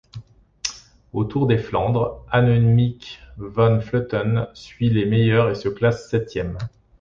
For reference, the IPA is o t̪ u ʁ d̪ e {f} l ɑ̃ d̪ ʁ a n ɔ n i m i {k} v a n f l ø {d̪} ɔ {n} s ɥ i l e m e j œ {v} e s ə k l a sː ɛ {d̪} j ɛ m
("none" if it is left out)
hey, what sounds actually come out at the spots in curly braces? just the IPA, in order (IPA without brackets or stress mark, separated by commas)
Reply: f, k, t̪, n, ʁ, t̪